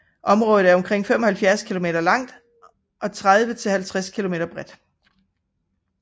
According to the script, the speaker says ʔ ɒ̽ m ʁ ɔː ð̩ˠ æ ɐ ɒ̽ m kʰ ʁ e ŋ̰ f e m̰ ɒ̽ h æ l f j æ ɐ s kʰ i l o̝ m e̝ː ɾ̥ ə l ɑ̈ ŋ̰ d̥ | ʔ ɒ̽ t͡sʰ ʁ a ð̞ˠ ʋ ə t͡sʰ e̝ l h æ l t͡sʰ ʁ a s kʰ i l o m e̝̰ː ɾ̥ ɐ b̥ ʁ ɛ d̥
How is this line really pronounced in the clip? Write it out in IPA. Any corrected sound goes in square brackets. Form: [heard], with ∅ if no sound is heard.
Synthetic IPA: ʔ ɒ̽ m ʁ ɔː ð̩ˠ æ ɐ ɒ̽ m kʰ ʁ e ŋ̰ f e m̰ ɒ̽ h æ l f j æ ɐ s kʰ i l o̝ m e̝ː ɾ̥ [ɐ] l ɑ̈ ŋ̰ d̥ | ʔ ɒ̽ t͡sʰ ʁ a ð̞ˠ ʋ ə t͡sʰ e̝ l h æ l t͡sʰ ʁ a s kʰ i l o m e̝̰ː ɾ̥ ɐ b̥ ʁ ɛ d̥